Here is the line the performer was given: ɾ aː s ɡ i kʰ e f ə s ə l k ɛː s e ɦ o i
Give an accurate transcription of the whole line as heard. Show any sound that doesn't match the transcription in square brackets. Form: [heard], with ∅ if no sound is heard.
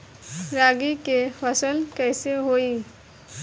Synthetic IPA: ɾ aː [∅] ɡ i [k] e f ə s ə l k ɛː s e ɦ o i